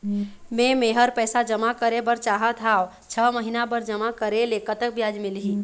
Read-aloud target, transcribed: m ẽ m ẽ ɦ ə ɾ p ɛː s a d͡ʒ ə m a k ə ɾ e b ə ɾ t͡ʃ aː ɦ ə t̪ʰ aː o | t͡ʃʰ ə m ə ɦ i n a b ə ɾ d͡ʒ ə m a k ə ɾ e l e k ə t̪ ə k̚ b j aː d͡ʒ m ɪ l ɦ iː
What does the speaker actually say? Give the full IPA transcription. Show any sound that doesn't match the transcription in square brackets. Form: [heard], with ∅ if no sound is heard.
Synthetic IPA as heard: m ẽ m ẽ ɦ ə ɾ p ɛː s a d͡ʒ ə m a k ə ɾ e b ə ɾ t͡ʃ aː ɦ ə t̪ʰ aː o | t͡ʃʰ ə m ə ɦ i n a b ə ɾ d͡ʒ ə m a k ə ɾ e l e k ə t̪ ə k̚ b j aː d͡ʒ m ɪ l ɦ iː